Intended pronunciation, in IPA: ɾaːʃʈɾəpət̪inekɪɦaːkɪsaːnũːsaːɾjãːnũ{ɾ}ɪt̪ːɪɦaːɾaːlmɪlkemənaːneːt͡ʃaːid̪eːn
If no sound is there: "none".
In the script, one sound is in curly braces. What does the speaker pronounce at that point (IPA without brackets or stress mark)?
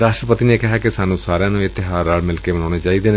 none